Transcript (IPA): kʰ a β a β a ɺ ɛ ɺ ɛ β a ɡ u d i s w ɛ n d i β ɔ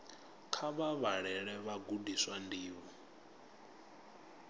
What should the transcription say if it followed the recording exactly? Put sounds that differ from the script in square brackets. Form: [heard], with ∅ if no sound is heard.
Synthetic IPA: kʰ a β a β a ɺ ɛ ɺ ɛ β a ɡ u d i s w [a] n d [iː] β ɔ